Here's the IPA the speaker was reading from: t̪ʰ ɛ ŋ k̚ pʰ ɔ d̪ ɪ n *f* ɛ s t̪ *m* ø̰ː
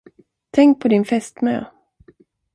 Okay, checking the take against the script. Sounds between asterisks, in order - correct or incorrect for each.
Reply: correct, correct

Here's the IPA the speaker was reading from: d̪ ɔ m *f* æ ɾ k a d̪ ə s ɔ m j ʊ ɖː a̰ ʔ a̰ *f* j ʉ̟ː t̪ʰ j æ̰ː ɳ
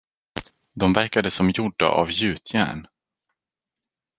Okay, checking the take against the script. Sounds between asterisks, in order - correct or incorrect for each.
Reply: incorrect: v, incorrect: v

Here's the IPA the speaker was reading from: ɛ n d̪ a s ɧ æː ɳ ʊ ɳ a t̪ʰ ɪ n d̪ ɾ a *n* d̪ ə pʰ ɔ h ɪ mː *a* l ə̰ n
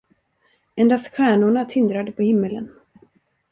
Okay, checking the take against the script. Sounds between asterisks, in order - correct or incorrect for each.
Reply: incorrect: none, incorrect: ə

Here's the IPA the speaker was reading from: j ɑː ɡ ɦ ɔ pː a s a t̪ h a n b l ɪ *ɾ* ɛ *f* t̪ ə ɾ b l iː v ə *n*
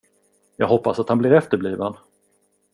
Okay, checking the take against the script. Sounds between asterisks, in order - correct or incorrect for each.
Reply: correct, correct, correct

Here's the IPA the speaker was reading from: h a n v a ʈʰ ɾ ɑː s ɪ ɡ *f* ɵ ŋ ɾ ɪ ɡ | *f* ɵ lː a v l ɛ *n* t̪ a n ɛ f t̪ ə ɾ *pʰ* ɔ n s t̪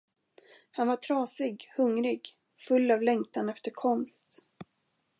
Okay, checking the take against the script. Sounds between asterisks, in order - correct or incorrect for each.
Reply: incorrect: h, correct, incorrect: ŋ, incorrect: kʰ

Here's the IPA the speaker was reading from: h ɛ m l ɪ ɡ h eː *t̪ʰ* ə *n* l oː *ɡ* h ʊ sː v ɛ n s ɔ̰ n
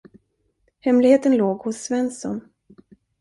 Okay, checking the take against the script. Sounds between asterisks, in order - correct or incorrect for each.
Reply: incorrect: t̪, correct, correct

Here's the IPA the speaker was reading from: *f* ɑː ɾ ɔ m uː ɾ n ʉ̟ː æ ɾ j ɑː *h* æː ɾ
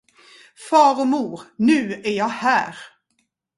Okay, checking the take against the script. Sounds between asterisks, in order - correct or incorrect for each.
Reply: correct, correct

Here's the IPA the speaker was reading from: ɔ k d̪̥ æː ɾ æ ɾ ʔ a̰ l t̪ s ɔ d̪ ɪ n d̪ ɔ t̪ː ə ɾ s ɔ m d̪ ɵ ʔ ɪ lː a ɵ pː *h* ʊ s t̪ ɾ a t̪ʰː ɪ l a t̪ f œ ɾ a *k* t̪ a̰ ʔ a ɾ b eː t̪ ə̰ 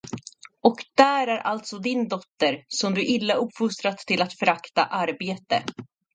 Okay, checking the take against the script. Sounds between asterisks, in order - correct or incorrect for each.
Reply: incorrect: f, correct

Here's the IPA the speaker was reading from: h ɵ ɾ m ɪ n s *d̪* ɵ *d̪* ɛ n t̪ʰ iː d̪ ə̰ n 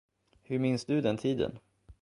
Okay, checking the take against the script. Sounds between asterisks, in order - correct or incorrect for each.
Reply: correct, correct

